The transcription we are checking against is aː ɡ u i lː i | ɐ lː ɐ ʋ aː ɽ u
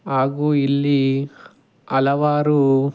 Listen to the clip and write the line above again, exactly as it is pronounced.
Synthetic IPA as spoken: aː ɡ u i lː i | ɐ l ɐ ʋ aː ɾ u

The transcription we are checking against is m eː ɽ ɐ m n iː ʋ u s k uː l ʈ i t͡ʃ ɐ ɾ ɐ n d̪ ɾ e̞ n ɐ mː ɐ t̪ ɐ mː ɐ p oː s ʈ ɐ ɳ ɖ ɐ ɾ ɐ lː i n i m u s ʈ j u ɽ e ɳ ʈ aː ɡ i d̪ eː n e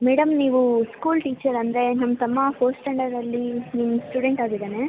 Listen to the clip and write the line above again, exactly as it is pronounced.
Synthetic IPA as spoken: m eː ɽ ɐ m n iː ʋ u s k uː l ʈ iː t͡ʃ ɐ ɾ ɐ n d̪ ɾ e̞ n ɐ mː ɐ t̪ ɐ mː ɐ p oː s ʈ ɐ ɳ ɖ ɐ ɾ ɐ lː i n i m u s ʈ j u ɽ e ɳ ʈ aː ɡ i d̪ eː n e

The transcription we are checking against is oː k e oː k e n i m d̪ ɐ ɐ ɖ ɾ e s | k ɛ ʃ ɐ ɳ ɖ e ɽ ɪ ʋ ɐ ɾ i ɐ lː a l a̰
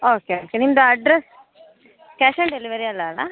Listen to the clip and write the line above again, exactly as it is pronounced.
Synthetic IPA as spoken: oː k e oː k e n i m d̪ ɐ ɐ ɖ ɾ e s | k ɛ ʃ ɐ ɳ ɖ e l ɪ ʋ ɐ ɾ i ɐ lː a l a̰

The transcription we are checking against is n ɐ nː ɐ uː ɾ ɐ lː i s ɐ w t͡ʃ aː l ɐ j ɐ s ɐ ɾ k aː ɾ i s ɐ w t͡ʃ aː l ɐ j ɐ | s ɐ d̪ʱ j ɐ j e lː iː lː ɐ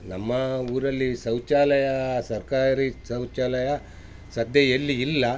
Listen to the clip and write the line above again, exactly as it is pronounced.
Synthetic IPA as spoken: n ɐ mː ɐ uː ɾ ɐ lː i s ɐ w t͡ʃ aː l ɐ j ɐ s ɐ ɾ k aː ɾ i s ɐ w t͡ʃ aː l ɐ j ɐ | s ɐ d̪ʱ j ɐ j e lː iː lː ɐ

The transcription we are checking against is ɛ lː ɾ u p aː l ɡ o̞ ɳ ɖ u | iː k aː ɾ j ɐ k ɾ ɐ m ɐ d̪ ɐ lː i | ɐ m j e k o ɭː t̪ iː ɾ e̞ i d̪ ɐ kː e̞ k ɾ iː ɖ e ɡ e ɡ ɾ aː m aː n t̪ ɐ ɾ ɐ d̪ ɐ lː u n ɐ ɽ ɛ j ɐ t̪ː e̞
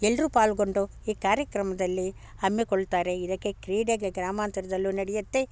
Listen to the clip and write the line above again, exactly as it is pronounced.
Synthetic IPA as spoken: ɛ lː ɾ u p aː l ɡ o̞ ɳ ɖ u | iː k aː ɾ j ɐ k ɾ ɐ m ɐ d̪ ɐ lː i | ɐ m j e k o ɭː t̪ aː ɾ e̞ i d̪ ɐ kː e̞ k ɾ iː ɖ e ɡ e ɡ ɾ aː m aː n t̪ ɐ ɾ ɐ d̪ ɐ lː u n ɐ ɽ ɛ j ɐ t̪ː e̞

